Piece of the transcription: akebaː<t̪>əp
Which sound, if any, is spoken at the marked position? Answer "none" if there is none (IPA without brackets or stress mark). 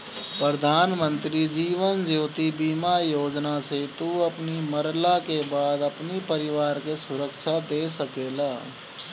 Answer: d̪